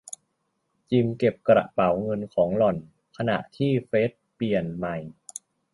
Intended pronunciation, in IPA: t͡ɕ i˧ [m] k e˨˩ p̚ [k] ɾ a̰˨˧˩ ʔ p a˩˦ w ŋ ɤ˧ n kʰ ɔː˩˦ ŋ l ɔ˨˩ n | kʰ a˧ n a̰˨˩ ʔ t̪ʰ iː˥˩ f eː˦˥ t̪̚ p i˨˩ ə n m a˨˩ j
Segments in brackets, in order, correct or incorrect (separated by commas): correct, correct